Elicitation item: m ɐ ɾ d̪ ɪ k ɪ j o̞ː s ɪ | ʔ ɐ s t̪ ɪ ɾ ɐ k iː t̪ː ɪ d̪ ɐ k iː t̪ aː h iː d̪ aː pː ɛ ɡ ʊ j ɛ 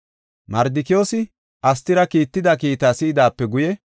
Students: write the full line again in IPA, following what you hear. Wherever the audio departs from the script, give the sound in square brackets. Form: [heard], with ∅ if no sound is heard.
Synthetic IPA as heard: m ɐ ɾ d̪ ɪ k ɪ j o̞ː s ɪ | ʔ ɐ s t̪ ɪ ɾ ɐ k iː t̪ː ɪ d̪ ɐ k iː t̪ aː [s] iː d̪ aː pː ɛ ɡ ʊ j ɛ